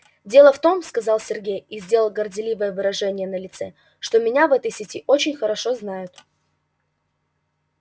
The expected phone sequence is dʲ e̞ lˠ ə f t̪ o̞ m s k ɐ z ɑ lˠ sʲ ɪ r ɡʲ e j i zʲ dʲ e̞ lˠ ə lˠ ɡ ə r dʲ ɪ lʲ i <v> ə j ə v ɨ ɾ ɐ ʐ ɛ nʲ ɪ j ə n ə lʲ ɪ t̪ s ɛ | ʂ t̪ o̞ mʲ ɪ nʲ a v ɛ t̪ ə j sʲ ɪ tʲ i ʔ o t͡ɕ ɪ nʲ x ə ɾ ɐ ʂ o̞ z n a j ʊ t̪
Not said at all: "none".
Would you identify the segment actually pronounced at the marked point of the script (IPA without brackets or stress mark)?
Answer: v